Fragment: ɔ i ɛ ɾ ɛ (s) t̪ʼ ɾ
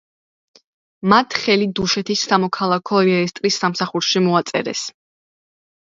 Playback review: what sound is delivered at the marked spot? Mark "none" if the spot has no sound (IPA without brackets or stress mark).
s